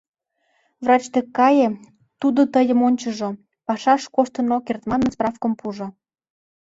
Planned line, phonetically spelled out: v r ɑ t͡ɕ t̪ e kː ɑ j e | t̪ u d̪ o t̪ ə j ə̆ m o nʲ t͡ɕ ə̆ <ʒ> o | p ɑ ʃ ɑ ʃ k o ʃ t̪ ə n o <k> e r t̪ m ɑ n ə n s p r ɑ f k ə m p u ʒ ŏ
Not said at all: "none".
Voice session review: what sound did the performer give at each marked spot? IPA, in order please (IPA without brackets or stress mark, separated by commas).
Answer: ʒ, k